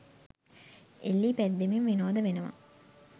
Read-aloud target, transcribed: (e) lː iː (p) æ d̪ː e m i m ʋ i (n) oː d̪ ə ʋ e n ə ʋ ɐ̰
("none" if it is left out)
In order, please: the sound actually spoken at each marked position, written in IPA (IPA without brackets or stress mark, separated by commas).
e, p, n